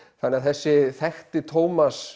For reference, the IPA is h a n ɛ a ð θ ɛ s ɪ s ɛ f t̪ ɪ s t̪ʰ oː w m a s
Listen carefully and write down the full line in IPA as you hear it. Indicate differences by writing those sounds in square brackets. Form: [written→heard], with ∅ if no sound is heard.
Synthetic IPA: [h→θ] a n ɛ a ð θ ɛ [s→sː] ɪ [s→θ] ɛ [f→x] t̪ ɪ [s→∅] t̪ʰ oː w m a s